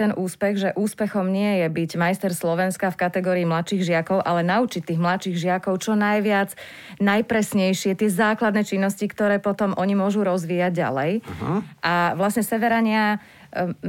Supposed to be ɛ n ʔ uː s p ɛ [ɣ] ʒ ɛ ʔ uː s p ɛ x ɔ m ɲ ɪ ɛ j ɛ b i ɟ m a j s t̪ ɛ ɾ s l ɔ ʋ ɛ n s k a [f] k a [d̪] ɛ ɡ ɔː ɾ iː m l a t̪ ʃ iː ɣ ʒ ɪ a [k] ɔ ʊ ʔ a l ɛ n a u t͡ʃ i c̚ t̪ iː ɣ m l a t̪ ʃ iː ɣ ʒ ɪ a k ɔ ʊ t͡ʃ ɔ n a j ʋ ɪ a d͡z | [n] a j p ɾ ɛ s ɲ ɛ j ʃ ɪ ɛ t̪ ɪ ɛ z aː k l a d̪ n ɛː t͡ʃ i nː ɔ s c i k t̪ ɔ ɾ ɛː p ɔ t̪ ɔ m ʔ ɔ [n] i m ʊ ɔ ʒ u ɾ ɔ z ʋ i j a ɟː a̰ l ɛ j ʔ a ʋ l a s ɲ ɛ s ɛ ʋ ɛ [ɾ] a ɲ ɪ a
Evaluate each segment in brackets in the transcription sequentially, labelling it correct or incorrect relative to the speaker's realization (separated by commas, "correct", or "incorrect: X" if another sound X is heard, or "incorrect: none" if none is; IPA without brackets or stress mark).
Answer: correct, correct, incorrect: t̪, correct, correct, incorrect: ɲ, correct